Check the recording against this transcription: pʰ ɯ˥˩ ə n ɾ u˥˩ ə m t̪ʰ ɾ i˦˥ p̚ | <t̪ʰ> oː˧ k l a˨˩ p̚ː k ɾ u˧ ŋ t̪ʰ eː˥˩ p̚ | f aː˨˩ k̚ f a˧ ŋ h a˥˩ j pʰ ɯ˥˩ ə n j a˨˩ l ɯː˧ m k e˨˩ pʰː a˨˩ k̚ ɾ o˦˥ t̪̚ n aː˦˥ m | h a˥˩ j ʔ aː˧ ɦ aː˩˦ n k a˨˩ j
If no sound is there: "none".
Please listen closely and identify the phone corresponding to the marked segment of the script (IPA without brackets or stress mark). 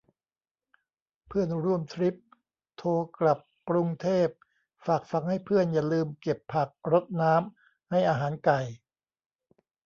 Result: t̪ʰ